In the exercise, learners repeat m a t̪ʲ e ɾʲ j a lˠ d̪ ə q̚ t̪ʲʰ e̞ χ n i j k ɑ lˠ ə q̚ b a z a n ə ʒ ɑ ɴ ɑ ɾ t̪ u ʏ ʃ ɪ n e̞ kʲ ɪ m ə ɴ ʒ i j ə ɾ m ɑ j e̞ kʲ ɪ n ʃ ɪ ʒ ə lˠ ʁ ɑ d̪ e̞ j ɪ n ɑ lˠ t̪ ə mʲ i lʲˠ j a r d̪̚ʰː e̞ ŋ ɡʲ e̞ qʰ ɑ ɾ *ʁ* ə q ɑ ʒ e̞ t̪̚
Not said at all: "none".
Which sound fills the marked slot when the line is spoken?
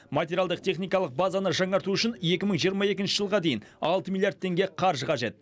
ʒ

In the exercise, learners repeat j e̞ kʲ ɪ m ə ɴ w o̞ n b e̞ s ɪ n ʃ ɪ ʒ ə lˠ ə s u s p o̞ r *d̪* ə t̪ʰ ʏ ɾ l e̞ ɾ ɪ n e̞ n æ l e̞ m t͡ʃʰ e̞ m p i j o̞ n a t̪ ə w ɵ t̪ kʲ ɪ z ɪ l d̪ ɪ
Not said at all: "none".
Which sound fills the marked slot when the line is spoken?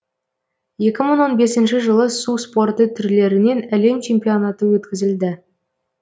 t̪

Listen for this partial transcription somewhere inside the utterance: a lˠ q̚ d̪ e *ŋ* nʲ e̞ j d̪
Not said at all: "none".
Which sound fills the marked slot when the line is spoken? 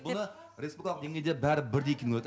ŋ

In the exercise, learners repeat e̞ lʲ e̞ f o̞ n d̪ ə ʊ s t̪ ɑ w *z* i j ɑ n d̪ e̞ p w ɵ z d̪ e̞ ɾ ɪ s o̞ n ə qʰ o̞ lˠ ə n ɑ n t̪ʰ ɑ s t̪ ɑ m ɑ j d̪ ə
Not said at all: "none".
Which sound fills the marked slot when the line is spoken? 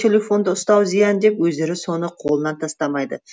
z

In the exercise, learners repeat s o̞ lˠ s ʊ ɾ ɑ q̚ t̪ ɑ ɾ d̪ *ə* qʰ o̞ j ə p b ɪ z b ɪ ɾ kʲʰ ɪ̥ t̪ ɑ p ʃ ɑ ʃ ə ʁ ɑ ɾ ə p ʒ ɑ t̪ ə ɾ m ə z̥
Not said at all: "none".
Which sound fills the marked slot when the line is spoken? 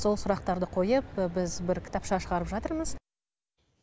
ə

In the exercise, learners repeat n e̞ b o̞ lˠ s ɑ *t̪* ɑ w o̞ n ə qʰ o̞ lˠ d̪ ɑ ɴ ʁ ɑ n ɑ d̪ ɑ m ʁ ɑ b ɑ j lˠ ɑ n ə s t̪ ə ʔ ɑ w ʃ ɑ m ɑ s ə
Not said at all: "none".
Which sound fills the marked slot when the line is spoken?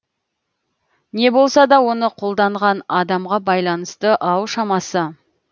d̪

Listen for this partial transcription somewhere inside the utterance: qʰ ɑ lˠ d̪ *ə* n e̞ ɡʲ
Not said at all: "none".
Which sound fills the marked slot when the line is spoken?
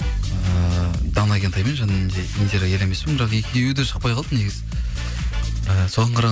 ə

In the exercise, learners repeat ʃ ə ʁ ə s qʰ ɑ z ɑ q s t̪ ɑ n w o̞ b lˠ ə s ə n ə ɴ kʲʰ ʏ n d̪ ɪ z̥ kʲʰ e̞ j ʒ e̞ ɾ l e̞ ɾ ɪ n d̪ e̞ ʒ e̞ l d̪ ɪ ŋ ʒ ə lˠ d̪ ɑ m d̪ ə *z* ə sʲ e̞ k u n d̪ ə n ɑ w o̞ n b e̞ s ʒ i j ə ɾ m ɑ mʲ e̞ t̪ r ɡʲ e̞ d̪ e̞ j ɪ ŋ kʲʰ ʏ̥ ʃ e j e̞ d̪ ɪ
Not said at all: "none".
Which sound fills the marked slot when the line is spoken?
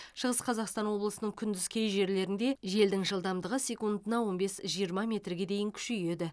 ʁ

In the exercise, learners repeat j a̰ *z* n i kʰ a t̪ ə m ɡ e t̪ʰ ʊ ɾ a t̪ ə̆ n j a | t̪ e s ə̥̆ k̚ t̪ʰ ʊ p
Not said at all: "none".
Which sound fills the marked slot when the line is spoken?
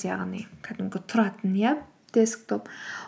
ʁ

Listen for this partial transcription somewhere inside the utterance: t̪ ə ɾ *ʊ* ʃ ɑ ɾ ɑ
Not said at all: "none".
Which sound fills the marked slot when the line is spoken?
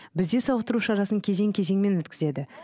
u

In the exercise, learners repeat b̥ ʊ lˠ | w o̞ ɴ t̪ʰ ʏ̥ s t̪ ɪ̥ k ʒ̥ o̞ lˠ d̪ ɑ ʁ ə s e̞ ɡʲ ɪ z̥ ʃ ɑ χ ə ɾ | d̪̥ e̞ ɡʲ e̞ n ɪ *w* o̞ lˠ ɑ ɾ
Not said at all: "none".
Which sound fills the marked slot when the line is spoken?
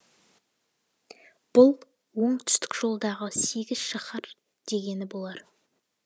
b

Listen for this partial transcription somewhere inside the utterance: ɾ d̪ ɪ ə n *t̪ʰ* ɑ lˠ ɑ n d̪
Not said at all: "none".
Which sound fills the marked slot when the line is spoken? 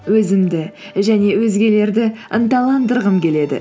t̪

